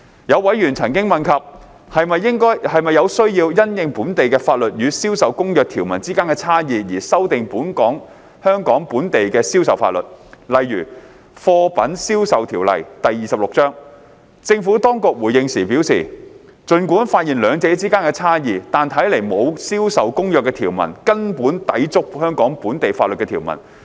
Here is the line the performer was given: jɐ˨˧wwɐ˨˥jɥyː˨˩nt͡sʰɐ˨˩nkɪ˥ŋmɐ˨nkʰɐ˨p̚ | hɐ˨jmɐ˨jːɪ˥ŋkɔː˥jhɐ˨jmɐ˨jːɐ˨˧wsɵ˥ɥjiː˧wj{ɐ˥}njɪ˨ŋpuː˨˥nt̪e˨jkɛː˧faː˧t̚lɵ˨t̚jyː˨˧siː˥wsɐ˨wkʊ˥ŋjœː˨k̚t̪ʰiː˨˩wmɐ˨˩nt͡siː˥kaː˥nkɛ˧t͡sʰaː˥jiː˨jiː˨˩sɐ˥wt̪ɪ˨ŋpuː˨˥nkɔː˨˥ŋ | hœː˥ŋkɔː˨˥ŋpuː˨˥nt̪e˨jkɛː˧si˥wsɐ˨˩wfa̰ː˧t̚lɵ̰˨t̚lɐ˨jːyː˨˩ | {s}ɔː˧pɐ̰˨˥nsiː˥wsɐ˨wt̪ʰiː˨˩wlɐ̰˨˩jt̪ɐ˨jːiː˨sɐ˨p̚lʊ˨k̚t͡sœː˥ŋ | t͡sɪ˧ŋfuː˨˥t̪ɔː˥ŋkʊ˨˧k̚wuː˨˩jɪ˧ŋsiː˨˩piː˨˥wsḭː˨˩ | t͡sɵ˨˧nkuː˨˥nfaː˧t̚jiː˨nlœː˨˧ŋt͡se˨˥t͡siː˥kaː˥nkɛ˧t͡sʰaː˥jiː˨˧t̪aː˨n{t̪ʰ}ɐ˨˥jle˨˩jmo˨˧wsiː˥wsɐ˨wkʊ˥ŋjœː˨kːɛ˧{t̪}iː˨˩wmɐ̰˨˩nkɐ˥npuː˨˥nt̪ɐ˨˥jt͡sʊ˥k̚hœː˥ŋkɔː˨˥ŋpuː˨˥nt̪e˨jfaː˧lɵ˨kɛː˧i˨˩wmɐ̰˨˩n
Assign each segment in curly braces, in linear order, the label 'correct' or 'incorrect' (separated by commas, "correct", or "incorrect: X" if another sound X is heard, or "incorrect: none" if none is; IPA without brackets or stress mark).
correct, incorrect: f, correct, incorrect: t̪ʰ